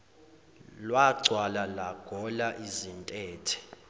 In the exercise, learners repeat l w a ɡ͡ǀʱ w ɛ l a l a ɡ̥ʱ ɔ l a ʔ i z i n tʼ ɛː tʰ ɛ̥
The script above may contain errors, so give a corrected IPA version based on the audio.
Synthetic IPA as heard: l w a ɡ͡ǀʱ w a l a l a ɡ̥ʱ ɔ l a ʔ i z i n tʼ ɛː tʰ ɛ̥